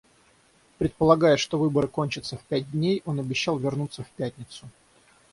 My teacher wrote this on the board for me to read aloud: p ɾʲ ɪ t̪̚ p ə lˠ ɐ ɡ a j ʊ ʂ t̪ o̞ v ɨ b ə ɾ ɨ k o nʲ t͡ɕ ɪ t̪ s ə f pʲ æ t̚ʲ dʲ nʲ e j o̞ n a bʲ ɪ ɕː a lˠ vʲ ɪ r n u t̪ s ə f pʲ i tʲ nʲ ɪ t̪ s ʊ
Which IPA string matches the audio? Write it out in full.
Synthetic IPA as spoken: p ɾʲ ɪ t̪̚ p ə lˠ ɐ ɡ a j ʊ ʂ t̪ o̞ v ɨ b ə ɾ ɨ k o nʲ t͡ɕ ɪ t̪ s ə f pʲ æ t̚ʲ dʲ nʲ e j o̞ n ɐ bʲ ɪ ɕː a lˠ vʲ ɪ r n u t̪ s ə f pʲ æ tʲ nʲ ɪ t̪ s ʊ